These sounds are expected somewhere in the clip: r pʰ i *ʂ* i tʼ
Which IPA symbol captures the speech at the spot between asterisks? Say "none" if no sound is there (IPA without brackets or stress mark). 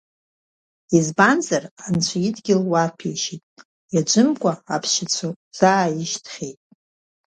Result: ʃ